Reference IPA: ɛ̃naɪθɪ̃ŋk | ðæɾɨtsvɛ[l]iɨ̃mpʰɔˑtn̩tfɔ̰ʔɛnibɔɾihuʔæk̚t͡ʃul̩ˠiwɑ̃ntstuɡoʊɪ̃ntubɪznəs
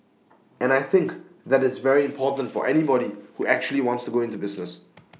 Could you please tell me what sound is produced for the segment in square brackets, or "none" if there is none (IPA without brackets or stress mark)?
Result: ɹ